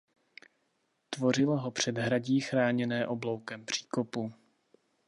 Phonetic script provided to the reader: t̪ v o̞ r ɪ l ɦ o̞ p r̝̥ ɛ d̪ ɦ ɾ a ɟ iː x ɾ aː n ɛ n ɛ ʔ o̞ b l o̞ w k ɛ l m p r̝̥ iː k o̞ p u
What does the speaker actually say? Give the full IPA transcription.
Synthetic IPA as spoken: t̪ v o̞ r ɪ l ɦ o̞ p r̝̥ ɛ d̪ ɦ ɾ a ɟ iː x ɾ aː ɲ ɛ n ɛː ʔ o̞ b l o̞ w k ɛ m p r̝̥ iː k o̞ p u